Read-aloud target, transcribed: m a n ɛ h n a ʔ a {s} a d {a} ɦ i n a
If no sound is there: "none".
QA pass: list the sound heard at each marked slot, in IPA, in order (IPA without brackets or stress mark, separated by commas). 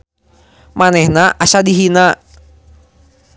s, i